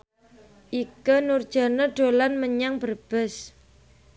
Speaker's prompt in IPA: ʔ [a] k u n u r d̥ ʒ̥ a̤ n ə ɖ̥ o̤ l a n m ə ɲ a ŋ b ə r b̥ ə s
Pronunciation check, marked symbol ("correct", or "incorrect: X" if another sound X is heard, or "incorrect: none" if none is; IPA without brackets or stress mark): incorrect: i